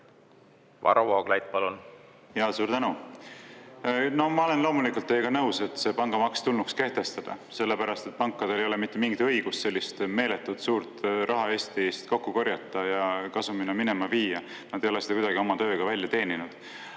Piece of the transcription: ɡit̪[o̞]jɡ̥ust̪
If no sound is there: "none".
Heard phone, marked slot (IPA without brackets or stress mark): ɤ̞